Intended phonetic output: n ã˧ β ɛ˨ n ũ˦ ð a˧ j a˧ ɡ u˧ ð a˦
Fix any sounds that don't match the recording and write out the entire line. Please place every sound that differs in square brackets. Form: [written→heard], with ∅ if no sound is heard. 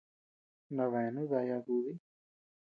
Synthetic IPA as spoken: n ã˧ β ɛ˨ n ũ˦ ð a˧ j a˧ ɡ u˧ ð [a˦→i˦]